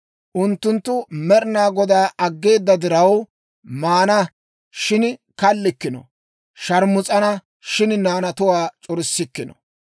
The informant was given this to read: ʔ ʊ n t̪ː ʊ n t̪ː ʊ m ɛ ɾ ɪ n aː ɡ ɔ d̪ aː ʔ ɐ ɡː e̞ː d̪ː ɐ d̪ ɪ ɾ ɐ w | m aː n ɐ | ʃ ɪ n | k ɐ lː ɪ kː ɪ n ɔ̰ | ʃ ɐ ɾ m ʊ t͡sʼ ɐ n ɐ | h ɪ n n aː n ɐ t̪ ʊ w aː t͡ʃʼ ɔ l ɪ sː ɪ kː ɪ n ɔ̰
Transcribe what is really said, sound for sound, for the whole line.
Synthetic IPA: ʔ ʊ n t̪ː ʊ n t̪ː ʊ m ɛ ɾ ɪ n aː ɡ ɔ d̪ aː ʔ ɐ ɡː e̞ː d̪ː ɐ d̪ ɪ ɾ ɐ w | m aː n ɐ | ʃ ɪ n | k ɐ lː ɪ kː ɪ n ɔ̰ | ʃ ɐ ɾ m ʊ t͡sʼ ɐ n ɐ | ʃ ɪ n n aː n ɐ t̪ ʊ w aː t͡ʃʼ ɔ ɾ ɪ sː ɪ kː ɪ n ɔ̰